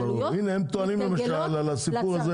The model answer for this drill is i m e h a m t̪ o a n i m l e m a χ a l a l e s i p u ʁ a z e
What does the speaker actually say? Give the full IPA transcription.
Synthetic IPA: i n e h e m t̪ o a n i m l e m a ʃ a l a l a s i p u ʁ a z e